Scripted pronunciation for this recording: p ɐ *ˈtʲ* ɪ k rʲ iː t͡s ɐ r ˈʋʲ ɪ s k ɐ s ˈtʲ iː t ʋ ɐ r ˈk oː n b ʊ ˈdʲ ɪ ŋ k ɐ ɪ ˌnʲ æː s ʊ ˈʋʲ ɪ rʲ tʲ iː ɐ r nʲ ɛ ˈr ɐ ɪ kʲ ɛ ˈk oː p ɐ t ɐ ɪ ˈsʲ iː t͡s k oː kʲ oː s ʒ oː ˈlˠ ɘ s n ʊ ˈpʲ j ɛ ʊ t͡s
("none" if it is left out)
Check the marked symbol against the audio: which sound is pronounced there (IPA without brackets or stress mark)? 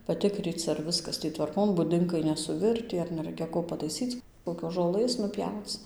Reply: tʲ